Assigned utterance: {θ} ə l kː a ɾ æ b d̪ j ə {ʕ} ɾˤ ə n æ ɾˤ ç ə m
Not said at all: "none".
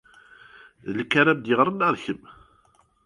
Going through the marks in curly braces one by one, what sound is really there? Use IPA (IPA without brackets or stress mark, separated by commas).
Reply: ð, ʁ